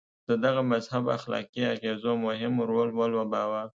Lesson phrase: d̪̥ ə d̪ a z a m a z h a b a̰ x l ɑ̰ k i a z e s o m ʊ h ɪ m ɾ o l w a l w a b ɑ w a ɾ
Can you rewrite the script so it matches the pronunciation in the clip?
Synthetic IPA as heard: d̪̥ ə d̪ a ɣ a m a z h a b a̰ x l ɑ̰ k i a ɣ e z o m ʊ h ɪ m ɾ o l w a l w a b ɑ w a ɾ